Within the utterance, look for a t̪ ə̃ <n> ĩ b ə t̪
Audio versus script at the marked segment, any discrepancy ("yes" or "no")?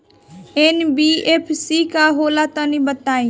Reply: no